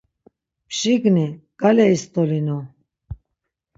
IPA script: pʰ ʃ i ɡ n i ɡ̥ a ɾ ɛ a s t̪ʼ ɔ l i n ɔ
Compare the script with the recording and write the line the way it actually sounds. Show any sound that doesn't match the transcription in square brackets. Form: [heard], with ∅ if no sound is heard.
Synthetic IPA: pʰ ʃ i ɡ n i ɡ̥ a [l] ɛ [i] s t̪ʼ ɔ l i n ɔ